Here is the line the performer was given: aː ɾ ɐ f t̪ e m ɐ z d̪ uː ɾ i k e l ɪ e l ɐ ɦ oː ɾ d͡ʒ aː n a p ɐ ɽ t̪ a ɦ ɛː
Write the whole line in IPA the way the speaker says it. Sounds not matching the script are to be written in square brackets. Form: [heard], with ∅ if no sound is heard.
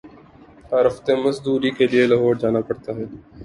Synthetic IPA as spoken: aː ɾ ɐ f t̪ e m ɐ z d̪ uː ɾ i k e l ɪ e l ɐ ɦ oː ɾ d͡ʒ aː n a p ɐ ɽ t̪ a ɦ ɛː